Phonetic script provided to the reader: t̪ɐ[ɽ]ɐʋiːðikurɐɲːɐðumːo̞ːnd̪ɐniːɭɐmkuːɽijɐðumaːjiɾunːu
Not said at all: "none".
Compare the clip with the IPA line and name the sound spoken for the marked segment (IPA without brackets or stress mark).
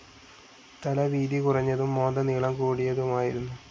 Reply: l